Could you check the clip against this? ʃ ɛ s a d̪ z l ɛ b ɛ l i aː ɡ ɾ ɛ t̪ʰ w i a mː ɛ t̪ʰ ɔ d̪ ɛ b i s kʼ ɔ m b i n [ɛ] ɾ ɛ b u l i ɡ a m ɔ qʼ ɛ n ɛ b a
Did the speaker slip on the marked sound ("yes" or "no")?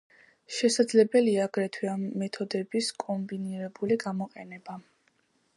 yes